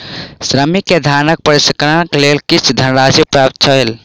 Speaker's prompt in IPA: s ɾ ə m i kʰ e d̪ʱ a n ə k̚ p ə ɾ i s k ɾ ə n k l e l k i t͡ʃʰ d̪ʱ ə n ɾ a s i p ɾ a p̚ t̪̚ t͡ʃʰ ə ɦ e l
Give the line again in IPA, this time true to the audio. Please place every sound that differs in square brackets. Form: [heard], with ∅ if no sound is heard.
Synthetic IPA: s ɾ ə m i [k] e d̪ʱ a n ə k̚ p ə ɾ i s k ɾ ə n k l e l k i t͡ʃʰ d̪ʱ ə n ɾ a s i p ɾ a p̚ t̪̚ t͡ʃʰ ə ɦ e l